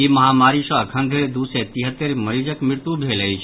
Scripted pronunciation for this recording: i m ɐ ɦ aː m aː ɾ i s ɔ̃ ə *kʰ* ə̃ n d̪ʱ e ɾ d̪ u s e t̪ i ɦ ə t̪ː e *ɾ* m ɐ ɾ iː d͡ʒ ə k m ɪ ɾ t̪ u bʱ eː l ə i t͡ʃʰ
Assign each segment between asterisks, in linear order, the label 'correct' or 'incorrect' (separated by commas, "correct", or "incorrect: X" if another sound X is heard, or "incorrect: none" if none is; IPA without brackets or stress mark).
correct, correct